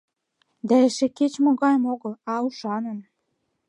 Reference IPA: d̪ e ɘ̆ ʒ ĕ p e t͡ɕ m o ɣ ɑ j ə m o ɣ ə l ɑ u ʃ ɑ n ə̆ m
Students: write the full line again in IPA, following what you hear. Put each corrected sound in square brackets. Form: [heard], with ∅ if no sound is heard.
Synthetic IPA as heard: d̪ [æ] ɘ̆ [ʃ] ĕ [k] e t͡ɕ m o ɣ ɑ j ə m o ɣ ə l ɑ u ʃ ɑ n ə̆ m